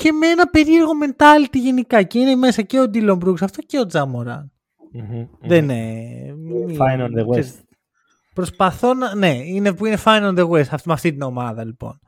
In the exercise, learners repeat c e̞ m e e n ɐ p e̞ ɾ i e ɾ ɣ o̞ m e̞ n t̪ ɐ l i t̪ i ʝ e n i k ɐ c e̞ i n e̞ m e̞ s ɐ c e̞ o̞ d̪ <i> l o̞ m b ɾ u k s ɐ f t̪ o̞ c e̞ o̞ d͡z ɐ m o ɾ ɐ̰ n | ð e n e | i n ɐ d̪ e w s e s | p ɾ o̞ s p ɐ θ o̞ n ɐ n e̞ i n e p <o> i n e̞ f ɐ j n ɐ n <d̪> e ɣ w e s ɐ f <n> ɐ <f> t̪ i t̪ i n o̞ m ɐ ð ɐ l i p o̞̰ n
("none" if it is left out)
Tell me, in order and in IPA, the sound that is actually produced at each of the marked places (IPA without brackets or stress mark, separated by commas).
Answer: i, u, d̪, m, f